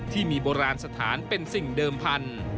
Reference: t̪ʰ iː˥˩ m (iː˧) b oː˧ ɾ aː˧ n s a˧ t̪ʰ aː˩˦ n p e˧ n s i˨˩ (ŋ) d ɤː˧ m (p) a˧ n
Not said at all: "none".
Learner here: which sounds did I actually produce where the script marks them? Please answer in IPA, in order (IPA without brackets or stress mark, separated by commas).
iː˧, ŋ, pʰ